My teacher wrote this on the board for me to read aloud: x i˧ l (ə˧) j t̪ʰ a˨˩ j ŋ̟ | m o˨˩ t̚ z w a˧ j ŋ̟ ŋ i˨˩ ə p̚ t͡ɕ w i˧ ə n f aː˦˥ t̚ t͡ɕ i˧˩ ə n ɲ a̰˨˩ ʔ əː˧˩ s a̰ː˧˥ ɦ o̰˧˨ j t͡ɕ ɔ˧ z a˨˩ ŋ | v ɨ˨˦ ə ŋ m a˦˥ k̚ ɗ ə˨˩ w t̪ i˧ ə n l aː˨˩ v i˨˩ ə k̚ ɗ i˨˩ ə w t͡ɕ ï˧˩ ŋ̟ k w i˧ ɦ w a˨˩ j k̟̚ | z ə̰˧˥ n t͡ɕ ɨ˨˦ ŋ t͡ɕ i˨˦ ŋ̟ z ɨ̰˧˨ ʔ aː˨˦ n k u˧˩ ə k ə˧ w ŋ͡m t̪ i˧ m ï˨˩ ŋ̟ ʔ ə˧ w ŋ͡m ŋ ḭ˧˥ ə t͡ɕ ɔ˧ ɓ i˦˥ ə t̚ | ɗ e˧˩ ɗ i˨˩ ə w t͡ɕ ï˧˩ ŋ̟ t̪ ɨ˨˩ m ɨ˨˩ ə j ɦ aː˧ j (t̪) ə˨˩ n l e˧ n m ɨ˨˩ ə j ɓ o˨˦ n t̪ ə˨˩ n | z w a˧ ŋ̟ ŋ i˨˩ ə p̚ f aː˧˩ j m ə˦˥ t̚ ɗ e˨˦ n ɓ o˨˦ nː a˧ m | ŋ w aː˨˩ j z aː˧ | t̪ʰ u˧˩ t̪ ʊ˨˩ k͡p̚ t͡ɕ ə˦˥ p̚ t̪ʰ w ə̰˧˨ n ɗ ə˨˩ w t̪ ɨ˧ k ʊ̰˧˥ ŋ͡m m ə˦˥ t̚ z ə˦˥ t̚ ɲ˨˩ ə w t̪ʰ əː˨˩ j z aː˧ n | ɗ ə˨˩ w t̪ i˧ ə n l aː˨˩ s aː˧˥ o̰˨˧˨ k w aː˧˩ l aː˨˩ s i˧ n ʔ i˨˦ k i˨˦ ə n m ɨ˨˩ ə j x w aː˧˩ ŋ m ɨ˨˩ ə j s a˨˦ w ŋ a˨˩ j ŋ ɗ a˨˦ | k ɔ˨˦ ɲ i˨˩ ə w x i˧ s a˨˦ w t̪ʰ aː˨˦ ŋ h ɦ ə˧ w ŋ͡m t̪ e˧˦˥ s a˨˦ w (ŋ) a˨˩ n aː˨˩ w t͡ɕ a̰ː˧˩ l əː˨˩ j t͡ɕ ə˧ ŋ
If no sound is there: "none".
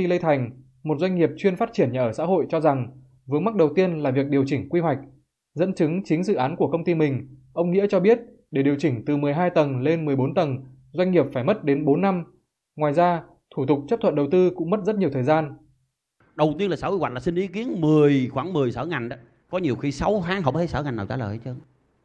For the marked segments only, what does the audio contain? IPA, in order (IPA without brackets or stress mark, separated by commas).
ə˧, t̪, ŋ